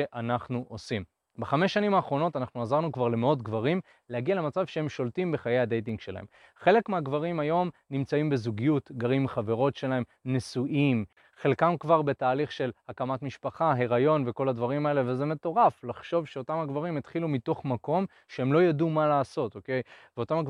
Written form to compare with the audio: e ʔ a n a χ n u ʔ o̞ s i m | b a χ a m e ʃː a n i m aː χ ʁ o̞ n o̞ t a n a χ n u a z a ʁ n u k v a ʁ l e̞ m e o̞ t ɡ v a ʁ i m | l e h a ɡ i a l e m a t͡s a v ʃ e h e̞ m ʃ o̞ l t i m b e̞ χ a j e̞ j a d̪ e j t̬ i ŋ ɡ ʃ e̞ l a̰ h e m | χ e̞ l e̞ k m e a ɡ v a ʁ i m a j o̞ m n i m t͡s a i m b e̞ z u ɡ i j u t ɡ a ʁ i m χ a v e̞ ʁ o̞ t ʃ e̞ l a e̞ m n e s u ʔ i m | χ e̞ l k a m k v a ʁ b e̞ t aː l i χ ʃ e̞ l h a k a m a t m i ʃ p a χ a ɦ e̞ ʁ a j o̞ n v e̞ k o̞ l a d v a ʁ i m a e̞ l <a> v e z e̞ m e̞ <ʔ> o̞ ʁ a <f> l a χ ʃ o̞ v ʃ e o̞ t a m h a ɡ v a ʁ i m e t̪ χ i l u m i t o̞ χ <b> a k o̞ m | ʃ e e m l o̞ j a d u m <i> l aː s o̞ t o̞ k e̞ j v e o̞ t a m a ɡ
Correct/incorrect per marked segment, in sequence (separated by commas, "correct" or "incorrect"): incorrect, incorrect, correct, incorrect, incorrect